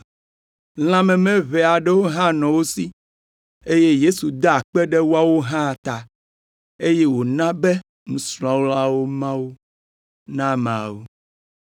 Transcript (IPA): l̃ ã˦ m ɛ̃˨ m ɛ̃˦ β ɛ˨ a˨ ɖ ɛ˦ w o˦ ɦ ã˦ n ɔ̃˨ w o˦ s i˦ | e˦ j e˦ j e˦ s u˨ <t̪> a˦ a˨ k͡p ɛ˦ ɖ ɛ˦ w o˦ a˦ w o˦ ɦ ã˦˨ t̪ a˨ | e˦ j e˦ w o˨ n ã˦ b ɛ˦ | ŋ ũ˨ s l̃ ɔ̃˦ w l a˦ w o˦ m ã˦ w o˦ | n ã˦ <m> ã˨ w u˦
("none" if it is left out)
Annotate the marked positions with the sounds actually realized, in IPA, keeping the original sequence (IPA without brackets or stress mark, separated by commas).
d̪, m